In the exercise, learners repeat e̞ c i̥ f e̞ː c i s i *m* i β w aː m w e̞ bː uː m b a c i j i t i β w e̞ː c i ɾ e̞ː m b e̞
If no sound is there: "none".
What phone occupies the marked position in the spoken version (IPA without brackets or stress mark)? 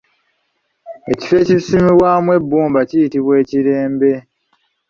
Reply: m